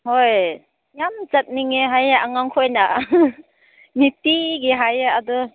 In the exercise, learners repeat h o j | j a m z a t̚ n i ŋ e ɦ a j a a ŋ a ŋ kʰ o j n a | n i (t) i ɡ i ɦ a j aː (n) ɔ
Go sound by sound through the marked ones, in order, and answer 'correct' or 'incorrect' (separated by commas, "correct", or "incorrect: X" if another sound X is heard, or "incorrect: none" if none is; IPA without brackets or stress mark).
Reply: correct, incorrect: d